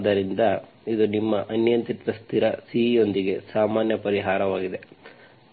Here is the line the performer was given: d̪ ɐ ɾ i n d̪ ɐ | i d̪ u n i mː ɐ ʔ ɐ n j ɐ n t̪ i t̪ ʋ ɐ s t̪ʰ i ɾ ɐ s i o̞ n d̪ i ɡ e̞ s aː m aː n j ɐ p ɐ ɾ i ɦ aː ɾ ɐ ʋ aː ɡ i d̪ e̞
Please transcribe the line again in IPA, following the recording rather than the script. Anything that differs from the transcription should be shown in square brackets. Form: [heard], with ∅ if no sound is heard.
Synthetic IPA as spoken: d̪ ɐ ɾ i n d̪ ɐ | i d̪ u n i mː ɐ ʔ ɐ n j ɐ n t̪ i t̪ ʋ ɐ s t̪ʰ i ɾ ɐ s i o̞ n d̪ i ɡ e̞ s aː m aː n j ɐ p ɐ ɾ i ɦ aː ɾ ɐ ʋ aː ɡ i d̪ e̞